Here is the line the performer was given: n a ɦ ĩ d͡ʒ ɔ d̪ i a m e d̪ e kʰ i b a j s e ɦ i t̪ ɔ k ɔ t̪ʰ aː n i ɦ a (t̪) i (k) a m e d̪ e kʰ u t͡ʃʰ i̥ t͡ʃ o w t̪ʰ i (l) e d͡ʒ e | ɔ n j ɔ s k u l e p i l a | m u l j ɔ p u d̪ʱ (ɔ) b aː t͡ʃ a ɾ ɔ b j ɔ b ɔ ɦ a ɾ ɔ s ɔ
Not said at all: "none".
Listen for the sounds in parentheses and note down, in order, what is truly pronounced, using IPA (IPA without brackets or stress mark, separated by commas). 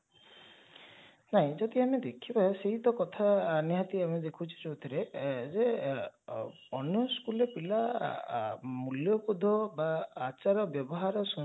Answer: t̪, none, ɾ, ɔ